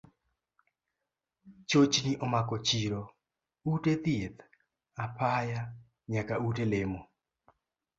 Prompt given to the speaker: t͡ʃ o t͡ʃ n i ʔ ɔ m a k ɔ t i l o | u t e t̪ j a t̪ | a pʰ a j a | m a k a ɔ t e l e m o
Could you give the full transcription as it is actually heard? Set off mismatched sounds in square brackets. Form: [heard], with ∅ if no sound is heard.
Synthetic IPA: t͡ʃ o t͡ʃ n i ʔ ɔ m a k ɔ [t͡ʃ] i [ɾ] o | u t e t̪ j [e] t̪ | a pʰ a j a | [ɲ] a k a [u] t e l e m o